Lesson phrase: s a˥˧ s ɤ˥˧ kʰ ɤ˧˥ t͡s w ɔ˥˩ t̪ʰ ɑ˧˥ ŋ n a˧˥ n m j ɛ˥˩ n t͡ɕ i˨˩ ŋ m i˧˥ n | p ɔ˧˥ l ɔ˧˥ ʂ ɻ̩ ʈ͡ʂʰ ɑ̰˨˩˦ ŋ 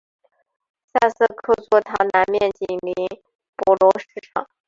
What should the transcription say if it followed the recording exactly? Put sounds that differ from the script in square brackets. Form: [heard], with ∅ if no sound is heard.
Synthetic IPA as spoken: s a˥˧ s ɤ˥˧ kʰ [ɤ˥˧] t͡s w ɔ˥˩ t̪ʰ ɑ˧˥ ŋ n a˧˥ n m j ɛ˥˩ n t͡ɕ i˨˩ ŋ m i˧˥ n | p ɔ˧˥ l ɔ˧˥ ʂ ɻ̩ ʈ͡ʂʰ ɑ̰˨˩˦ ŋ